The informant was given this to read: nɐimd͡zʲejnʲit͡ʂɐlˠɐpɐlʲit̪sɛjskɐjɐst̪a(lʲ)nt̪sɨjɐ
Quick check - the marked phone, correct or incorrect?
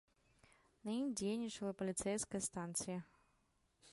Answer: incorrect